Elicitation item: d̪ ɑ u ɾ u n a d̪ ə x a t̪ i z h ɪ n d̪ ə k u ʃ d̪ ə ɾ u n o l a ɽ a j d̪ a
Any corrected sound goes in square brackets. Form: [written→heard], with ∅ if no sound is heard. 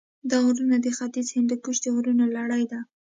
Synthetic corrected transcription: d̪ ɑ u ɾ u n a d̪ ə x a t̪ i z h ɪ n d̪ ə k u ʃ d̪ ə ɾ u n o l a ɽ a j d̪ a